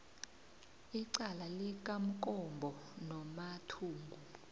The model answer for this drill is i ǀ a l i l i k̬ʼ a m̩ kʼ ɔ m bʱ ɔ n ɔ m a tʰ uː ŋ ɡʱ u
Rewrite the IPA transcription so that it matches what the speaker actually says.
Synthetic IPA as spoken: i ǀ a l a l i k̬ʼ a m̩ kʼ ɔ m bʱ ɔ n ɔ m a tʰ uː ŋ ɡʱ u